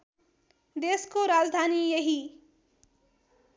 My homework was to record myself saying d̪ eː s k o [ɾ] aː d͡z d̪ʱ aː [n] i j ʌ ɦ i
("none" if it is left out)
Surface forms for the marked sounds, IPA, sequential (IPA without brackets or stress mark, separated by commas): ɾ, n